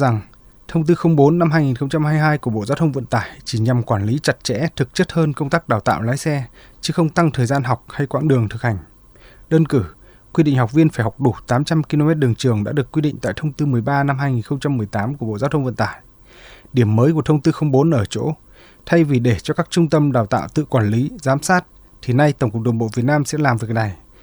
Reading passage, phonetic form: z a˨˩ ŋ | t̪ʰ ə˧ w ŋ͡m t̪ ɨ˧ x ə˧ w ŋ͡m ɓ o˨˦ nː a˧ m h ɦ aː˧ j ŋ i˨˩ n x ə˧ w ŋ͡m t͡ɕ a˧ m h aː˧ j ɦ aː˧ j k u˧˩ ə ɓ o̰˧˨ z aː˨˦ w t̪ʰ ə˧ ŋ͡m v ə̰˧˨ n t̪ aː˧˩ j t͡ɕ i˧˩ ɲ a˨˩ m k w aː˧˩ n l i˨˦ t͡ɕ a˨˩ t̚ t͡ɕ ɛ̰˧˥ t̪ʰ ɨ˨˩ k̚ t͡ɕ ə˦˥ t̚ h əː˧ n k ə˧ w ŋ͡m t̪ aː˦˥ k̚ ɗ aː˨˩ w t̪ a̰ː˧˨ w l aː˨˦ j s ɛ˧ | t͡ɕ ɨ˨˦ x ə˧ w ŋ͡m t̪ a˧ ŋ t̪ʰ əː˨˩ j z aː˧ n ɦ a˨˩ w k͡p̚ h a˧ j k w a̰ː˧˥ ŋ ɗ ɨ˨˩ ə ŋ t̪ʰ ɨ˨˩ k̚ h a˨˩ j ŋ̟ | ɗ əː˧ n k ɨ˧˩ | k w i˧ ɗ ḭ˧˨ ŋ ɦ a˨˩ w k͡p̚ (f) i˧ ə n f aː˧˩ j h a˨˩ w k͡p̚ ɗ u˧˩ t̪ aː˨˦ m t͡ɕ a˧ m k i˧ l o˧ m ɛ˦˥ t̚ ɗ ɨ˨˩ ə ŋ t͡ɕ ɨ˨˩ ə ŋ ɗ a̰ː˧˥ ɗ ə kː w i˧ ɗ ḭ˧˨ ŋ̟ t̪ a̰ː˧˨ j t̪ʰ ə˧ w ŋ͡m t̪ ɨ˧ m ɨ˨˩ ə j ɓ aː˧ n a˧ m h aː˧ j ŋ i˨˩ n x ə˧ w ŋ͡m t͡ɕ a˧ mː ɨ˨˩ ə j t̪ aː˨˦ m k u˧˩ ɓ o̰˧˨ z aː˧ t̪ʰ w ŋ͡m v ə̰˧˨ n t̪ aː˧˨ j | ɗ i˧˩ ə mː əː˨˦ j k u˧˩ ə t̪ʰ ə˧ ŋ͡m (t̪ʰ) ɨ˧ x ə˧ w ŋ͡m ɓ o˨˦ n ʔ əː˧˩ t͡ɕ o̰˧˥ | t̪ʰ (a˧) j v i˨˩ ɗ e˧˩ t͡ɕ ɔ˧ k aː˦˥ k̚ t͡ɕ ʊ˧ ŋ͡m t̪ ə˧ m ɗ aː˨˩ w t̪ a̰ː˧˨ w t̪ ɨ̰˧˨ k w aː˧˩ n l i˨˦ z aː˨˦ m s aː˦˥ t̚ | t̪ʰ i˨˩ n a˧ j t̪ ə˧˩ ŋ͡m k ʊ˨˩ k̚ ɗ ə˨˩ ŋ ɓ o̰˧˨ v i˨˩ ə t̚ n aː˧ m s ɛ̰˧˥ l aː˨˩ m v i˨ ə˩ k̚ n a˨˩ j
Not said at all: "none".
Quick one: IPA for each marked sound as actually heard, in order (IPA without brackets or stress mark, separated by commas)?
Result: v, t̪, a˧